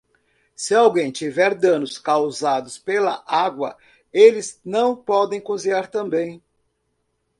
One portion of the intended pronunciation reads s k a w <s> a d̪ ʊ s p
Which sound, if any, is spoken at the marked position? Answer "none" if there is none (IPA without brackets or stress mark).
z